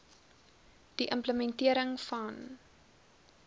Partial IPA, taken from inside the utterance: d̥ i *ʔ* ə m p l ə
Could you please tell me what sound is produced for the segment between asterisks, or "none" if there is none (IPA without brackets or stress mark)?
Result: ʔ